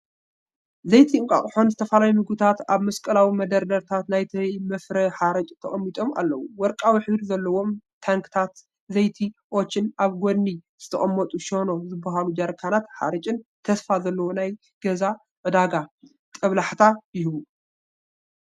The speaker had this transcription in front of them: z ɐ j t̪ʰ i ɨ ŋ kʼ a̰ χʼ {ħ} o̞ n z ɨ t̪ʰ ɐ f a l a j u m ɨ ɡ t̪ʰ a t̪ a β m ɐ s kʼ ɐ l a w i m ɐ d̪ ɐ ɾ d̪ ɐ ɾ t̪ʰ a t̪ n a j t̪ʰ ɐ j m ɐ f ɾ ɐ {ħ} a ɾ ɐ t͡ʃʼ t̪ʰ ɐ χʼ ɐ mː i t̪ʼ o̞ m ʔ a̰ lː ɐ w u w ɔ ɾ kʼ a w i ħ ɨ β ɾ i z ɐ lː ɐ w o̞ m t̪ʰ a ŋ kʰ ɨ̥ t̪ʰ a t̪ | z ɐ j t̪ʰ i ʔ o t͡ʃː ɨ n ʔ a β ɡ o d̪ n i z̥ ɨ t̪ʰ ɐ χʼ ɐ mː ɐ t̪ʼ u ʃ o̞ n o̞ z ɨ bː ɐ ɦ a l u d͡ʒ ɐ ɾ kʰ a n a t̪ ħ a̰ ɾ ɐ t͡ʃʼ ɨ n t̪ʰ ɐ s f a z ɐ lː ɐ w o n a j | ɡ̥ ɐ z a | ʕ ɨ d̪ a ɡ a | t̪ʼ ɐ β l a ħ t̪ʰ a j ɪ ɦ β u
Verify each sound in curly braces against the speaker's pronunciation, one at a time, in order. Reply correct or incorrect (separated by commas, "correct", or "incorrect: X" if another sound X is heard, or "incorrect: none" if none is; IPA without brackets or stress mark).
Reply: correct, correct